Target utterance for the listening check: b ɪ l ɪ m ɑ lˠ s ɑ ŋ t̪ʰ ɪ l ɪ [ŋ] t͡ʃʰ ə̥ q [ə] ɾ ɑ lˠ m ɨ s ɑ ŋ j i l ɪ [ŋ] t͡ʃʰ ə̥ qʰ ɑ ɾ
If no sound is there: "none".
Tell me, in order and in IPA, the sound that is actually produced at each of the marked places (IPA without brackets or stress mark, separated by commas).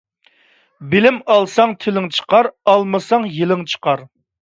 ŋ, ɑ, ŋ